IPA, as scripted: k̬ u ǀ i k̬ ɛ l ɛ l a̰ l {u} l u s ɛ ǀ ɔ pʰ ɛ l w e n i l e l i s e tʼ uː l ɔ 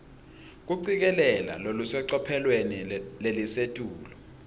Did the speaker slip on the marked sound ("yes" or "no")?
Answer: yes